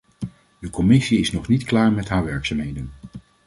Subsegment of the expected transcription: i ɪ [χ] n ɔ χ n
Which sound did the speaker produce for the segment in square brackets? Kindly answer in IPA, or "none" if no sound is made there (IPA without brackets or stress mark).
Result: s